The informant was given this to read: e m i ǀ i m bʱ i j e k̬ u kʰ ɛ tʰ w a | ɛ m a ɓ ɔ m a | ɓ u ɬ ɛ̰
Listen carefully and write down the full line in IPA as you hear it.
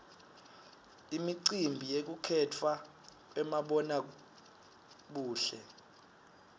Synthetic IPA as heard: i m i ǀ i m bʱ i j e k̬ u kʰ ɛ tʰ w a | ɛ m a ɓ ɔ n a | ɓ uː ɬ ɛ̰